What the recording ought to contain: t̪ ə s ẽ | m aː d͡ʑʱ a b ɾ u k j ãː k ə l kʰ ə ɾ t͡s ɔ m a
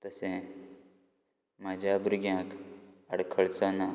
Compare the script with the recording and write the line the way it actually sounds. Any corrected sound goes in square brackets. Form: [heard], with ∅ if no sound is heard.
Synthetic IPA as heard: t̪ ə s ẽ | m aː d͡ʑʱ a b ɾ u [ɡ] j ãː k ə [ɽ] kʰ ə [ɭ] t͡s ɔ [n] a